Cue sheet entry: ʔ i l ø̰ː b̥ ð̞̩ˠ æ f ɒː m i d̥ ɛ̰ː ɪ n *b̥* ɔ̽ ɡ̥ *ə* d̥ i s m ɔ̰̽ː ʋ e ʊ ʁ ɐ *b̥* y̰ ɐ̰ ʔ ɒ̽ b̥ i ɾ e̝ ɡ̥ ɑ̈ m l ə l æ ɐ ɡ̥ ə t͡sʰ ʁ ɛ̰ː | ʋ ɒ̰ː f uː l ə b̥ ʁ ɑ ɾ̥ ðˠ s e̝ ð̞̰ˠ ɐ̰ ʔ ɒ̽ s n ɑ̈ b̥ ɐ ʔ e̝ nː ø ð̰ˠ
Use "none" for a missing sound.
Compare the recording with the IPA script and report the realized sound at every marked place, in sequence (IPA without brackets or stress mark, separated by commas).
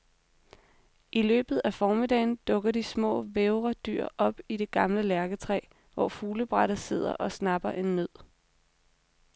d̥, ɐ, d̥